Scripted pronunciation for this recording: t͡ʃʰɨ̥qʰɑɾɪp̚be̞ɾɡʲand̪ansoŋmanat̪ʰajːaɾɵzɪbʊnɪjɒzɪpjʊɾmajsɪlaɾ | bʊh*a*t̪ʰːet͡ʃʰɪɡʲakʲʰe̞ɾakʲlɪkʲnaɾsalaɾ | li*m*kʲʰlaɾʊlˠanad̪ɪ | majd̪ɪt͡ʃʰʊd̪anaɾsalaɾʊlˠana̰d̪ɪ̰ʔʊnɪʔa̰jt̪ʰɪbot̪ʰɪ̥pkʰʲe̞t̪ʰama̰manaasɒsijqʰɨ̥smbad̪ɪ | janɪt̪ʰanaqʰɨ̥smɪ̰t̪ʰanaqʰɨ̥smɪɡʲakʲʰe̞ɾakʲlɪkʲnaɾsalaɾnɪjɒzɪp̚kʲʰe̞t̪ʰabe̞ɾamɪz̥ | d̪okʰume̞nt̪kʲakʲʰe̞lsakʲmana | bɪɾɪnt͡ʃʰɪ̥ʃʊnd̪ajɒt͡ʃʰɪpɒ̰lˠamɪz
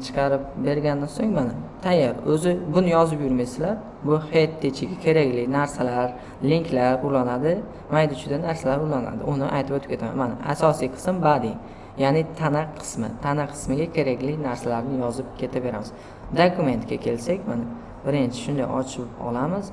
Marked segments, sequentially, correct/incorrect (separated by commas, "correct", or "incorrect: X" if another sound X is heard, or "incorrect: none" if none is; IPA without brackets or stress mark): incorrect: e, incorrect: ŋ